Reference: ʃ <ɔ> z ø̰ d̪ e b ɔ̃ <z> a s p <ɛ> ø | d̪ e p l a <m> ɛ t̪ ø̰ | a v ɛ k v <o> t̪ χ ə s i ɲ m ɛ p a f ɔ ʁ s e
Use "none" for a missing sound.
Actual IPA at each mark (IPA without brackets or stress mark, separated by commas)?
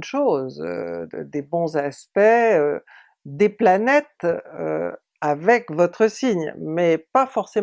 o, z, ɛ, n, ɔ